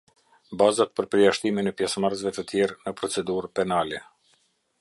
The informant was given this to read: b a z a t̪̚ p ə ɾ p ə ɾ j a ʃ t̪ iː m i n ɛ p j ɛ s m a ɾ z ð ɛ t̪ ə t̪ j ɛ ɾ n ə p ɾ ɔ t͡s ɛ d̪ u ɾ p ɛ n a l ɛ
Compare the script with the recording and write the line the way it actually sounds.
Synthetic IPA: b a z a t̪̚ p ə ɾ p ə ɾ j a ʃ t̪ i m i n ɛ p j ɛ s m a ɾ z v ɛ t̪ ə t̪ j ɛ ɾ n ə p ɾ ɔ t͡s ɛ d̪ u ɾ p ɛ n a l ɛ